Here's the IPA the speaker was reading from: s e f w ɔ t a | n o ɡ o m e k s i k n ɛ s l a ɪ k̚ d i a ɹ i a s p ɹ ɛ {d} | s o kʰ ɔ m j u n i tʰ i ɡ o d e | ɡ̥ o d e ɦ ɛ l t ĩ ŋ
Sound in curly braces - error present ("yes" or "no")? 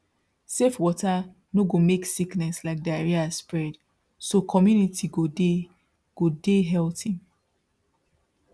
no